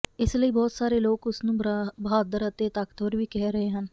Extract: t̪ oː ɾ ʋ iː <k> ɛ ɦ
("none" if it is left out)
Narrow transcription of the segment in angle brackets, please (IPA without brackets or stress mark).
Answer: k